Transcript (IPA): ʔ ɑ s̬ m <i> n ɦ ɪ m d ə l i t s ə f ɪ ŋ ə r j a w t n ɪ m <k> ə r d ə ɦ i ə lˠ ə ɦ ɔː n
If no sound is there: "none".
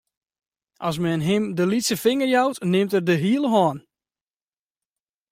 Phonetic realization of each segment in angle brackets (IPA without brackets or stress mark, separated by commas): ɛ, t